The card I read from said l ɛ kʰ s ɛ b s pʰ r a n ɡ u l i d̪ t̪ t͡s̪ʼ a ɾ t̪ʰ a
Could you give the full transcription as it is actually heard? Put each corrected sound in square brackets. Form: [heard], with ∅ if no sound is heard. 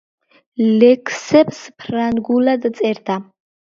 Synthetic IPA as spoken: l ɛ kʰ s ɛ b s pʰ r a n ɡ u l [a] d̪ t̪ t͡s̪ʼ [ɛ] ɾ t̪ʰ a